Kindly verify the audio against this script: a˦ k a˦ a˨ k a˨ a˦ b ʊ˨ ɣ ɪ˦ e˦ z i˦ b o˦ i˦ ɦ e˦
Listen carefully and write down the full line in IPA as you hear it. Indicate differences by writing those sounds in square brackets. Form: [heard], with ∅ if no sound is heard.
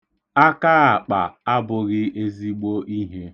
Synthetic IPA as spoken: a˦ k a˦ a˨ [k͡p] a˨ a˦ b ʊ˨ ɣ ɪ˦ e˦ z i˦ [ɡ͡b] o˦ i˦ ɦ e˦